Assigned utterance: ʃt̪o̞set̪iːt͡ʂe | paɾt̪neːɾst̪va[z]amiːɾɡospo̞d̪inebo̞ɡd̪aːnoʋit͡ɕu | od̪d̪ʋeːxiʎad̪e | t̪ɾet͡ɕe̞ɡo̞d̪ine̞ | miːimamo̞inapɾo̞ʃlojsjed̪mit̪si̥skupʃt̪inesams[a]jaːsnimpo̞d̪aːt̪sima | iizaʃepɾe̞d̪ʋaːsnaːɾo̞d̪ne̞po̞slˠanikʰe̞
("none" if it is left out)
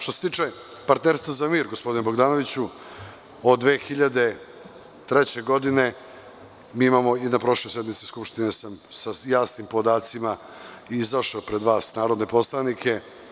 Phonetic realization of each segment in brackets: z, a

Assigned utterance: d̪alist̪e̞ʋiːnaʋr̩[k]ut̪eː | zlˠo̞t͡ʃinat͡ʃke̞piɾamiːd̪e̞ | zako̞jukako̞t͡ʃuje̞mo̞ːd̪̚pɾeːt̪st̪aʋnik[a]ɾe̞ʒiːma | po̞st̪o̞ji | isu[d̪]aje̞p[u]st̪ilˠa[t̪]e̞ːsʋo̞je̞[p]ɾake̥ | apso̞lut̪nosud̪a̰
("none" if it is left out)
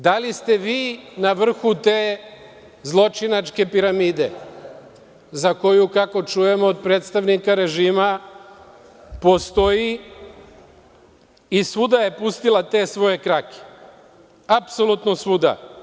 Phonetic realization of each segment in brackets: x, a, d̪, u, t̪, k

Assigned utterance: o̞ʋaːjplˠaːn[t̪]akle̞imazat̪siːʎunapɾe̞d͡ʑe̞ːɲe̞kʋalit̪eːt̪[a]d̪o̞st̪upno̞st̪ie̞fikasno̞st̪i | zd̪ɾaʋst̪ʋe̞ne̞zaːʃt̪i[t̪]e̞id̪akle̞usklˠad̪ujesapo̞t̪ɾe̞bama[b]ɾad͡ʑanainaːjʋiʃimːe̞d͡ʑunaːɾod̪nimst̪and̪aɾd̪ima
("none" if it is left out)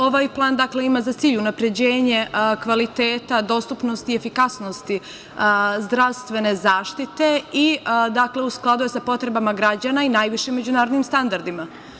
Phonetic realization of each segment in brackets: d̪, a, t̪, ɡ

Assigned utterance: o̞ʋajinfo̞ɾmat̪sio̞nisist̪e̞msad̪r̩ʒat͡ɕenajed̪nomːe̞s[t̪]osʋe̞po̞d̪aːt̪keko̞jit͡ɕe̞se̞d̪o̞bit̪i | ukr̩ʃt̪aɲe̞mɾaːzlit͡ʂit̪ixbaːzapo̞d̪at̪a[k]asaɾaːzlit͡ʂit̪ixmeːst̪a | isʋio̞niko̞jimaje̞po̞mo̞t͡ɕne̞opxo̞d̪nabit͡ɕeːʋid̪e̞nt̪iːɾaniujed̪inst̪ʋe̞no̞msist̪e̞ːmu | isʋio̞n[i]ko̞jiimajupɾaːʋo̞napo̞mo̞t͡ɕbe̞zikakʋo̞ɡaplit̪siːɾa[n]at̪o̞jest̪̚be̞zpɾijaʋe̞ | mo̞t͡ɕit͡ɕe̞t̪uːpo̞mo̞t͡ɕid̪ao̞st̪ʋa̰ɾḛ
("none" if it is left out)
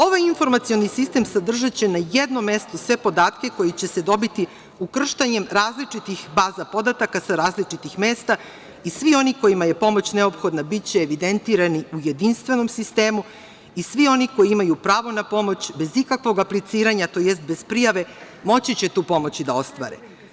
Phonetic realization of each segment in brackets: t̪, k, i, ɲ

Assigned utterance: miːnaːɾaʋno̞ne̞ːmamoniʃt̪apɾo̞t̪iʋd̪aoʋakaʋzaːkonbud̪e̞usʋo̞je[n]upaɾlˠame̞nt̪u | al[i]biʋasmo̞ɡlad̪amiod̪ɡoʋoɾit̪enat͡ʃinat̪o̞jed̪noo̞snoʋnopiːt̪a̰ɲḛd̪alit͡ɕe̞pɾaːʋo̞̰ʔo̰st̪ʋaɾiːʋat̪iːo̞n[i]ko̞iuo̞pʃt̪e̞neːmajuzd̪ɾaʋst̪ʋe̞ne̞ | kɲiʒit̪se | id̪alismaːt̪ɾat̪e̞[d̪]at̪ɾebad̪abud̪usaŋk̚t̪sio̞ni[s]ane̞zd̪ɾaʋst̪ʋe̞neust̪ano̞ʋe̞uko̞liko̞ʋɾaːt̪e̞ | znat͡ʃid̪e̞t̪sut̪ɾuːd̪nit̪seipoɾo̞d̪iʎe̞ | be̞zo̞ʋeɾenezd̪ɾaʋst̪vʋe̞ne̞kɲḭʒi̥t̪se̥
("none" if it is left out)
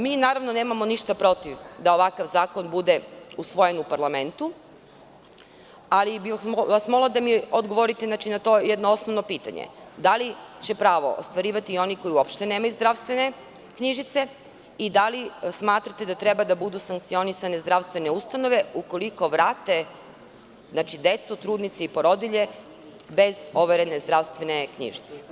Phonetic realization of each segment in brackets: n, i, i, d̪, s

